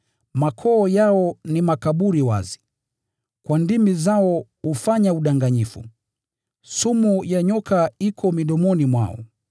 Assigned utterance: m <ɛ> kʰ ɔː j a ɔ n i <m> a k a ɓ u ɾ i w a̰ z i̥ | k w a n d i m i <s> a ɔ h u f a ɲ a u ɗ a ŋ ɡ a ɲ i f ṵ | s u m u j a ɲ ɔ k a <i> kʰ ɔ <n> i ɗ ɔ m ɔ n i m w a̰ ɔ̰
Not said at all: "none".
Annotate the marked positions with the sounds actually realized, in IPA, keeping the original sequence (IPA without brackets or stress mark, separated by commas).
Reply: a, m, z, i, m